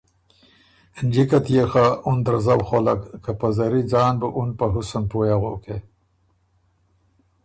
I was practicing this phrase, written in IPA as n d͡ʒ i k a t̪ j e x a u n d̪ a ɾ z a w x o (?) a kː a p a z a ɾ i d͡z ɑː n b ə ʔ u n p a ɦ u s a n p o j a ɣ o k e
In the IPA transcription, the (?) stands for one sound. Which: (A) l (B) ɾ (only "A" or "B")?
A